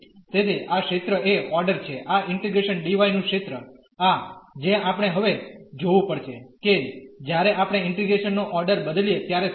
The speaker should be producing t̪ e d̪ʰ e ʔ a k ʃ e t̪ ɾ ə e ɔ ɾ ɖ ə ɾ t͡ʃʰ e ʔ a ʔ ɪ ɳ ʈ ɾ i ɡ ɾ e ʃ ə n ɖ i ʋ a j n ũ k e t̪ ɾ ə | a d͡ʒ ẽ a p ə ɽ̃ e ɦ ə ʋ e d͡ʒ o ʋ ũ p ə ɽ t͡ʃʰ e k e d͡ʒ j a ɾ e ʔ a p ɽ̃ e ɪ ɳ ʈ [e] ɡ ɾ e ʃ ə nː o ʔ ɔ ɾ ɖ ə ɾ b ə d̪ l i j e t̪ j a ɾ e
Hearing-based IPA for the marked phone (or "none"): i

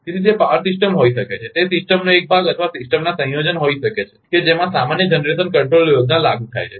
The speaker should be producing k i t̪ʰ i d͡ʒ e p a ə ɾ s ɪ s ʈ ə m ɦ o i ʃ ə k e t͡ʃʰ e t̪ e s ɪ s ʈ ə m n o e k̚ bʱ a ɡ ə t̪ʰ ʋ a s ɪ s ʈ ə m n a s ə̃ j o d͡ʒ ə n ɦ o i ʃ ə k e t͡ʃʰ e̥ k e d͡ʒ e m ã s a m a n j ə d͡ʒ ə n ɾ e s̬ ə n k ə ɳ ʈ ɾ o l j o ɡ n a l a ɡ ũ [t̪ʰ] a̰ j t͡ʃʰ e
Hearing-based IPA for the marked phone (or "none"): t̪ʰ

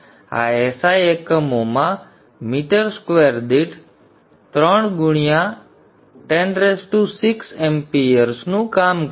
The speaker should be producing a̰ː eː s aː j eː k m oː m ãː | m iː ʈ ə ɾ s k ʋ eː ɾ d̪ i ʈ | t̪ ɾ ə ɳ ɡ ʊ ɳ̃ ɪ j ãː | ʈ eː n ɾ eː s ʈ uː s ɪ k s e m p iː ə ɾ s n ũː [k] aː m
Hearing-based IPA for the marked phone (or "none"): k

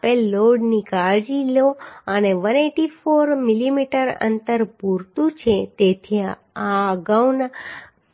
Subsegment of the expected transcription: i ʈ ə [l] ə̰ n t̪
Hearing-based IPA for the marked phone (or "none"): ɾ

